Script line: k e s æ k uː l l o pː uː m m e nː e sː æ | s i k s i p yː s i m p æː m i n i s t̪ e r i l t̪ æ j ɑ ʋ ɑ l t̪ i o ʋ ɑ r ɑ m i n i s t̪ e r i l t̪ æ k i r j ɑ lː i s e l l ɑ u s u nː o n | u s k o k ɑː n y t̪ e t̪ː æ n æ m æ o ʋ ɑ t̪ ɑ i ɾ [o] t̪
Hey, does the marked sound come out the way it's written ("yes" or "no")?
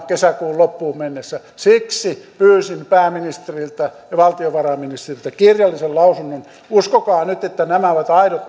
yes